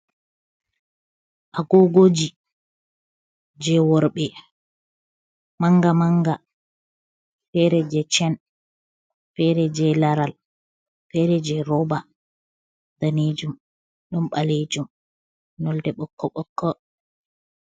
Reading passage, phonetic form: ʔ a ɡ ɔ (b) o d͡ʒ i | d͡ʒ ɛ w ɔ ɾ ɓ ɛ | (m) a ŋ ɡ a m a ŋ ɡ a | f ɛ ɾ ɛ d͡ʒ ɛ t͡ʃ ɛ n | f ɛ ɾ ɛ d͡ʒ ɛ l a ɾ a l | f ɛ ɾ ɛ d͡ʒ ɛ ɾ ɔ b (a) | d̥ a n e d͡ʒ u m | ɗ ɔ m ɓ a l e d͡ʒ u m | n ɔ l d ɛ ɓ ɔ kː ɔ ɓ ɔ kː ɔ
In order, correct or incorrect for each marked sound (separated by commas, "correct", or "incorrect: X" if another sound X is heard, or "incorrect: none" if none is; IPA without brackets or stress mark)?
incorrect: ɡ, correct, correct